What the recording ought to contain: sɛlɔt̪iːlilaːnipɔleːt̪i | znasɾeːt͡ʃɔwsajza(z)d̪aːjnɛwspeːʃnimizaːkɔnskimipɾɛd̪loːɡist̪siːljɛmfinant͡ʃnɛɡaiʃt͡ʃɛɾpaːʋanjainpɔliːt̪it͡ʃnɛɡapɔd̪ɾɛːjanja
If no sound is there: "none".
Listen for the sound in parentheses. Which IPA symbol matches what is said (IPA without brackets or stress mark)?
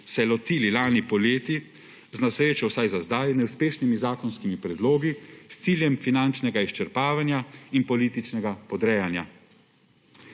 z